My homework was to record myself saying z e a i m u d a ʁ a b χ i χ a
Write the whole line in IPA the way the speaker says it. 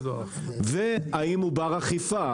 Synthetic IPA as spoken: v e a i m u b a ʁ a χ i f a